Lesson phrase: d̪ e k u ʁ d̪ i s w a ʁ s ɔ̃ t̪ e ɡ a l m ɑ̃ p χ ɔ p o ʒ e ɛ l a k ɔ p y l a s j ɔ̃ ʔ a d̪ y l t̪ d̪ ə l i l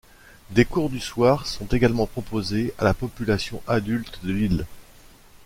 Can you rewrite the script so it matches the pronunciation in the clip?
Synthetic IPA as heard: d̪ e k u ʁ d̪ y s w a ʁ s ɔ̃ t̪ e ɡ a l m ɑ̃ p χ ɔ p o z e a l a p ɔ p y l a s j ɔ̃ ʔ a d̪ y l t̪ d̪ ə l i l